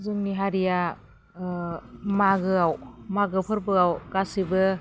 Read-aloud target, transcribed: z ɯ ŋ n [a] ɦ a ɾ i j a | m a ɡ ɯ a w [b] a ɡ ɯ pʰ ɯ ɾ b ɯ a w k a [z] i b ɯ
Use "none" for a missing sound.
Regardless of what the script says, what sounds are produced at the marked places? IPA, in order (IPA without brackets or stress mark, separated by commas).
i, m, s